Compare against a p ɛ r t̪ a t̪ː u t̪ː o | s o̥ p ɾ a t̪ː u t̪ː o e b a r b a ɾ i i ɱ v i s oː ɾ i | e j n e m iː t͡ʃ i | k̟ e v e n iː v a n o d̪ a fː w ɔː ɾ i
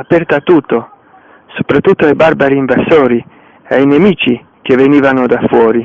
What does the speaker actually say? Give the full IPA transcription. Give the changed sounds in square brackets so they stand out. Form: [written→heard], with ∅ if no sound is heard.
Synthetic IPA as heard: a p ɛ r t̪ a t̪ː u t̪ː o | s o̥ p ɾ a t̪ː u t̪ː o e b a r b a ɾ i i ɱ v [i→a] s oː ɾ i | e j n e m iː t͡ʃ i | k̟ e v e n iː v a n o d̪ a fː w ɔː ɾ i

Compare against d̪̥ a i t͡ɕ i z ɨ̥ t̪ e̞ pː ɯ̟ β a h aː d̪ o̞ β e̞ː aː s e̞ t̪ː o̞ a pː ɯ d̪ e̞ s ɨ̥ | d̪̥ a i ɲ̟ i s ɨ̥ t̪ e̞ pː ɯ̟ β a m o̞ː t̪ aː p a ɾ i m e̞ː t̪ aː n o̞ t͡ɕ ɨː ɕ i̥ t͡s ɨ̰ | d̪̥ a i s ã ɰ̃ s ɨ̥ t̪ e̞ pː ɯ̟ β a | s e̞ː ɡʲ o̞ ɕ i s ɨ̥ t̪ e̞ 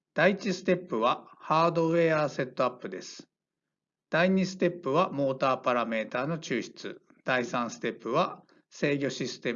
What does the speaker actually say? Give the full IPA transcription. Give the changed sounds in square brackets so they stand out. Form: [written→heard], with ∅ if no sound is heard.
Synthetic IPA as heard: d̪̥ a i t͡ɕ i [z→s] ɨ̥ t̪ e̞ pː ɯ̟ β a h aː d̪ o̞ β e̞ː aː s e̞ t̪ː o̞ a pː ɯ d̪ e̞ s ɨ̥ | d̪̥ a i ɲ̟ i s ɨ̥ t̪ e̞ pː ɯ̟ β a m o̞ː t̪ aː p a ɾ [i→a] m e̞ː t̪ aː n o̞ t͡ɕ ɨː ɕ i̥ t͡s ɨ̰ | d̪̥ a i s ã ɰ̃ s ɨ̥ t̪ e̞ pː ɯ̟ β a | s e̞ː ɡʲ o̞ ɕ i s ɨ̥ t̪ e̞

